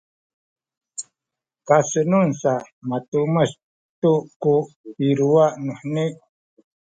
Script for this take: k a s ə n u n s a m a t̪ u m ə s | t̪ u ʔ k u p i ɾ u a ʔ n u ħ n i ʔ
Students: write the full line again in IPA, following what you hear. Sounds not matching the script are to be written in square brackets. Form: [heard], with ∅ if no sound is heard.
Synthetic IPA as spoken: k a s ə n u n s a m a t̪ u m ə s | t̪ u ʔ k u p i ɾ u a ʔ n u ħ n i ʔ